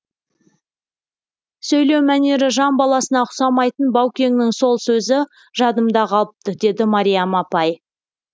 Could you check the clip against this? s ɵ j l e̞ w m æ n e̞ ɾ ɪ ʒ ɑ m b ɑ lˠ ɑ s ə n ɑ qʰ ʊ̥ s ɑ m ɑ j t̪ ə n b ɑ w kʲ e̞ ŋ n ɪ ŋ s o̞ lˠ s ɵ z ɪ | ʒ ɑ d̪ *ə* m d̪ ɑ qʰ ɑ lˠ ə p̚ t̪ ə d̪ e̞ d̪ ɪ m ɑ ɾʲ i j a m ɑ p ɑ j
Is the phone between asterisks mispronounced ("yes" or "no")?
no